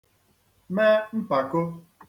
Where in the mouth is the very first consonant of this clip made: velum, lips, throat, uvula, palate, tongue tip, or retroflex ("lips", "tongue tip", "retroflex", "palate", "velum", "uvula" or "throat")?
lips